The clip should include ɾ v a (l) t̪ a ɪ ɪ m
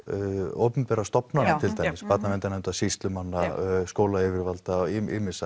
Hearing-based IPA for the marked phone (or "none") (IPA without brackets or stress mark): l